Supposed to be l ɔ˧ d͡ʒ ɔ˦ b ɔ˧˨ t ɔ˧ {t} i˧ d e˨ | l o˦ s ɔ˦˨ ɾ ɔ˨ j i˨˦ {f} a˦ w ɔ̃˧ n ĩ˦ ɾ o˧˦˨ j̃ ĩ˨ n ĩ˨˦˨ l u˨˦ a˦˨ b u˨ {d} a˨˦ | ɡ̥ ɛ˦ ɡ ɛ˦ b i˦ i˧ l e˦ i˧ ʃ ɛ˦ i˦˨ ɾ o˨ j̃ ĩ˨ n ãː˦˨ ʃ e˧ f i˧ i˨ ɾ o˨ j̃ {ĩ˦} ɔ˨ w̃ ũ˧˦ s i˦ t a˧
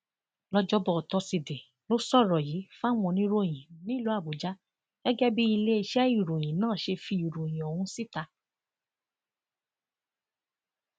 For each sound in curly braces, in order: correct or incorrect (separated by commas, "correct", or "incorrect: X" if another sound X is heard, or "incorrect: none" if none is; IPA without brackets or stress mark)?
incorrect: s, correct, incorrect: d͡ʒ, incorrect: ĩ˨